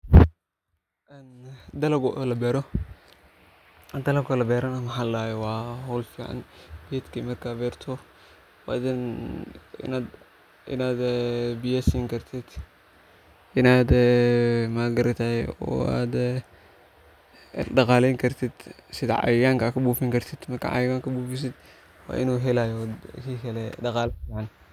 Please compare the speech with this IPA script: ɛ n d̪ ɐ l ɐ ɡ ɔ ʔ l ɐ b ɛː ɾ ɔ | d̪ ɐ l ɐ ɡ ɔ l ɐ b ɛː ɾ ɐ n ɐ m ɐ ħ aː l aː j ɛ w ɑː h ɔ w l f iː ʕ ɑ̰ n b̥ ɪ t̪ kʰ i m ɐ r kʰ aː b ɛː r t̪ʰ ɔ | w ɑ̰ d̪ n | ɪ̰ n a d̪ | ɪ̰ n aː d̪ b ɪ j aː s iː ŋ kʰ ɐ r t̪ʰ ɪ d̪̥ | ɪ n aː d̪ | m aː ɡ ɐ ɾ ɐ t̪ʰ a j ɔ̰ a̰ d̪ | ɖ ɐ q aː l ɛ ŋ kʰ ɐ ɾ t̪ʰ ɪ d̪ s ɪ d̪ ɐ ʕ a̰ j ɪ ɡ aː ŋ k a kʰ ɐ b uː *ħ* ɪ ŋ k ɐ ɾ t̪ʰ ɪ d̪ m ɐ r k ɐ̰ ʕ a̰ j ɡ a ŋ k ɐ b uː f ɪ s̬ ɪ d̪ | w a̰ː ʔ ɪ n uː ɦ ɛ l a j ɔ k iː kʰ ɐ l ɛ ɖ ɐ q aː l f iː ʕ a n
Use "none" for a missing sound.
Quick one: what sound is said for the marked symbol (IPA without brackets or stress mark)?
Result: f